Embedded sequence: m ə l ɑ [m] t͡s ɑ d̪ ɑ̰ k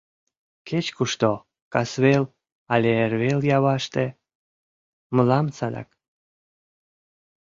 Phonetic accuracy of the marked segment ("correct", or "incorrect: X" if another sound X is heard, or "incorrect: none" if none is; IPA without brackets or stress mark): correct